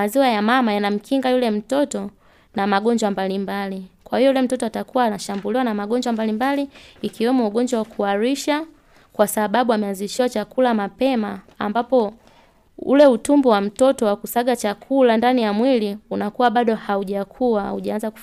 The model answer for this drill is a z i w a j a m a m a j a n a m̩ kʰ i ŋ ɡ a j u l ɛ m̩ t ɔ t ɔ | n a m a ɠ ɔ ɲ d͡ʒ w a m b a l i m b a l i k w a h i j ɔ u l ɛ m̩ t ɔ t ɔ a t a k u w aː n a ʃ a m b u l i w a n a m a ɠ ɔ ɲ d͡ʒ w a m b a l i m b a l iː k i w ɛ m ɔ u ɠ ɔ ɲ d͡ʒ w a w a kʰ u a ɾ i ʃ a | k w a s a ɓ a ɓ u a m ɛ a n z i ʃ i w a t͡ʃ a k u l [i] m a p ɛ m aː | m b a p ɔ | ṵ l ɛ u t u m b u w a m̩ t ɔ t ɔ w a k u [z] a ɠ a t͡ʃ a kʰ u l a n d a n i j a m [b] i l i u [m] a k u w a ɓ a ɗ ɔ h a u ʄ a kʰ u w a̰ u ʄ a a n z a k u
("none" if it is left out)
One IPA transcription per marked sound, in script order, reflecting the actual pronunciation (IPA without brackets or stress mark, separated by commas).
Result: a, s, w, n